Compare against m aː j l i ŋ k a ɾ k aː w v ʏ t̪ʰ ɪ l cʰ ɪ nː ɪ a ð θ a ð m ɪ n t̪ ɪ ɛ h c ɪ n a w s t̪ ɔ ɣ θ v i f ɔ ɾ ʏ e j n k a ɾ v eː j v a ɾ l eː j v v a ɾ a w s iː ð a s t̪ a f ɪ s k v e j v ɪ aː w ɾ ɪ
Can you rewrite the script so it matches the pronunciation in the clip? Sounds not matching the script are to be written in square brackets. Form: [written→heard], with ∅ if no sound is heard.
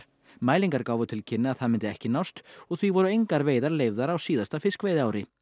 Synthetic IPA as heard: m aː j l i ŋ k a ɾ k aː w v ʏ t̪ʰ ɪ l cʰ ɪ nː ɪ a ð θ a ð m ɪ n t̪ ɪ ɛ h c ɪ n a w s t̪ ɔ ɣ θ v i [f→v] ɔ ɾ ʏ e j [n→ŋ] k a ɾ v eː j [v→ð] a ɾ l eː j v [v→ð] a ɾ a w s iː ð a s t̪ a f ɪ s k v e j [v→ð] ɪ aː w ɾ ɪ